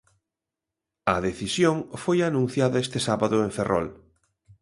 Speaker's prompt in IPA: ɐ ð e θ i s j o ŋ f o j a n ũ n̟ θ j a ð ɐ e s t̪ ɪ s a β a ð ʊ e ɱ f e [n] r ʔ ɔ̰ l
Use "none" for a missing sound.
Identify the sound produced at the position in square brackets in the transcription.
none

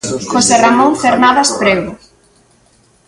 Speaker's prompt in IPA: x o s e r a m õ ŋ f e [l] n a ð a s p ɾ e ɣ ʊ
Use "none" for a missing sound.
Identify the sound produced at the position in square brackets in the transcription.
ɾ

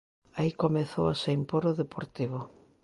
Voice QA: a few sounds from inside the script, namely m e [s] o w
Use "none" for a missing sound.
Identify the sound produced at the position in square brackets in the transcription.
θ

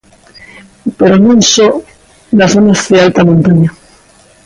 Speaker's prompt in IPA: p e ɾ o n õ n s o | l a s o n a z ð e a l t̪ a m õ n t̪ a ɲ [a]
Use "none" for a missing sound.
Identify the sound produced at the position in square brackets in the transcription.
a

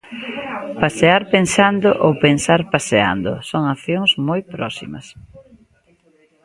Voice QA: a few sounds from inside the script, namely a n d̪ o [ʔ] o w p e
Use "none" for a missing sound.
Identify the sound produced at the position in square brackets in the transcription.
ʔ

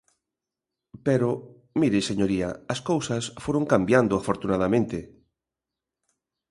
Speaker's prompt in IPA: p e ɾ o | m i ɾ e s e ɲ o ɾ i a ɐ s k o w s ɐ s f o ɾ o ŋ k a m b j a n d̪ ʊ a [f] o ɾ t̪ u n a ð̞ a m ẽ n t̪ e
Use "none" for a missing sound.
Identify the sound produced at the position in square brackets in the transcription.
f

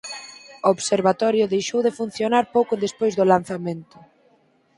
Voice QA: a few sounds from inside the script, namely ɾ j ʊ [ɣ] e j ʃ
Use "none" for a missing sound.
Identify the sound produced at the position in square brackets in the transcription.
ð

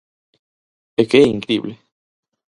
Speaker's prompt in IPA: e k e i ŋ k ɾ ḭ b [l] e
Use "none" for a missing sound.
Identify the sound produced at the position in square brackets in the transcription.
l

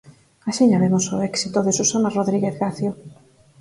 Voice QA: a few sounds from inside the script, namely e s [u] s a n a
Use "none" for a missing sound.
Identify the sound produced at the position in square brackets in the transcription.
u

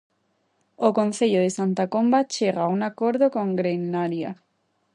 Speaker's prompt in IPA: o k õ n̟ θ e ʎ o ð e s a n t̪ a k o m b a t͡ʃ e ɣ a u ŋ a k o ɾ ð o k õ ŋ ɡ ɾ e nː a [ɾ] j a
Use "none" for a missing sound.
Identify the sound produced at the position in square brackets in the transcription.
ɾ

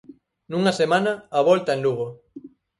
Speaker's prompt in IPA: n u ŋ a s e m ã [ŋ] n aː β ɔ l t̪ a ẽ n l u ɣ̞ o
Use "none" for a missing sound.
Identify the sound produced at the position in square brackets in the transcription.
none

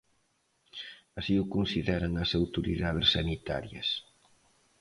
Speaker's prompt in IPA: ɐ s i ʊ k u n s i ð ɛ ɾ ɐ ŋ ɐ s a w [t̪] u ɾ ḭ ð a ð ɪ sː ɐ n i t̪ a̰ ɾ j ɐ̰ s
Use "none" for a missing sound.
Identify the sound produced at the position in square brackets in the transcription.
t̪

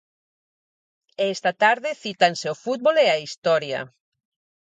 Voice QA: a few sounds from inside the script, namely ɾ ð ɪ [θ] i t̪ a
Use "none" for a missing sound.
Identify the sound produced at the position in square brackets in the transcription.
θ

